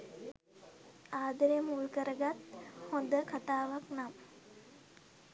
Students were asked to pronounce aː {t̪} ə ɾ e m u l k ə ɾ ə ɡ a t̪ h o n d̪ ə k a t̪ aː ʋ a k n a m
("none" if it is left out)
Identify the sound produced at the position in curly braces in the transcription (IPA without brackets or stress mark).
d̪